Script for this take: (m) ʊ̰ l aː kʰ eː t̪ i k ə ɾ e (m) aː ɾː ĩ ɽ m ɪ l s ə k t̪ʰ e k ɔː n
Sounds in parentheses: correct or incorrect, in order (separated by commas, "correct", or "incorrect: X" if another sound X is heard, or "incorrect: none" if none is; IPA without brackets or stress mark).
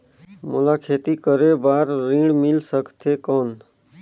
correct, incorrect: b